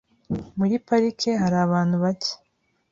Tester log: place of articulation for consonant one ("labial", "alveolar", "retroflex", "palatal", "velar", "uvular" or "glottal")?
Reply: labial